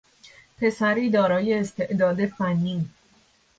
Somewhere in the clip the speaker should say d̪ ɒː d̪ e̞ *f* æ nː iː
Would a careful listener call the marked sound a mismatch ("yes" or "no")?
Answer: no